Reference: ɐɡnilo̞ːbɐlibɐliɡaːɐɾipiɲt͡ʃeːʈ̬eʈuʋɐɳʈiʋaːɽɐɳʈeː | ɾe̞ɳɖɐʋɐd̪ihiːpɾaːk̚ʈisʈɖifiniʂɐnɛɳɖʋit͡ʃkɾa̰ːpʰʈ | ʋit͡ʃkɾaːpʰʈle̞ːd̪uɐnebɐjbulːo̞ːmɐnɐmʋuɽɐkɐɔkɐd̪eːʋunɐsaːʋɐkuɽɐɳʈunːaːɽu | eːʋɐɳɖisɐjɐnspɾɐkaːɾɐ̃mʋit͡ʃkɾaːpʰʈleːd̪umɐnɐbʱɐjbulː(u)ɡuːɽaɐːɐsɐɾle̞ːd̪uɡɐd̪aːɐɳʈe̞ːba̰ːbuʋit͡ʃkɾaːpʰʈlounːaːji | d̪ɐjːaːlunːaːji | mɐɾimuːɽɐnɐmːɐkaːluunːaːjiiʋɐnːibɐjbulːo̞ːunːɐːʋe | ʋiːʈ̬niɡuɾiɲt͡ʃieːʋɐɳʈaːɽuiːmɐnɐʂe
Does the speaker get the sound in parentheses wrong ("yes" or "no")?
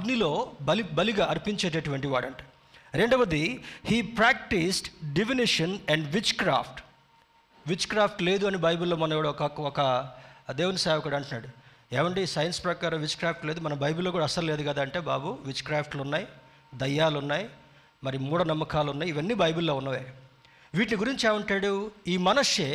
yes